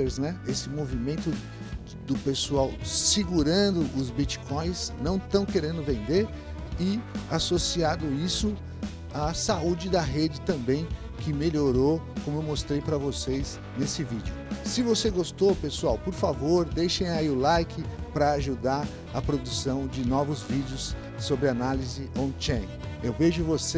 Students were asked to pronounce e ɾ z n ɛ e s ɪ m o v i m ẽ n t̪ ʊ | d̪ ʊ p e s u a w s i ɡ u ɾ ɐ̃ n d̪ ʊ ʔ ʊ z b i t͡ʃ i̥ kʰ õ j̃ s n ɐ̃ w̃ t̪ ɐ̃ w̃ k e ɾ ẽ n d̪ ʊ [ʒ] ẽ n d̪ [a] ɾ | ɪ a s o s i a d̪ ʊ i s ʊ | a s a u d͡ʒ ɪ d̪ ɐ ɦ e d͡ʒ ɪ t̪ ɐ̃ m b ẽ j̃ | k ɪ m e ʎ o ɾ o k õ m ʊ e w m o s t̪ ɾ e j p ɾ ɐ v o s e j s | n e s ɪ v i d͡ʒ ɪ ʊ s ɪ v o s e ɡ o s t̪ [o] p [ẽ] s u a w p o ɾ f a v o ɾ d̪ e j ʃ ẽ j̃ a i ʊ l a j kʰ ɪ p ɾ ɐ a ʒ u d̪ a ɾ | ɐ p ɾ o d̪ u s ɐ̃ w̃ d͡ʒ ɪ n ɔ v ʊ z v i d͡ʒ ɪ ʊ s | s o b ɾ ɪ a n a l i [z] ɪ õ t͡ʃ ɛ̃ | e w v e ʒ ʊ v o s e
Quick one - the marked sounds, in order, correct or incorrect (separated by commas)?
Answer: incorrect, incorrect, correct, incorrect, correct